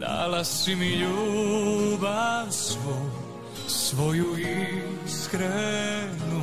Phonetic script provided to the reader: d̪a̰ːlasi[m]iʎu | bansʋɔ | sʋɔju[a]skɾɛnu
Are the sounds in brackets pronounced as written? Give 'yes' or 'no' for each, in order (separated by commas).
yes, no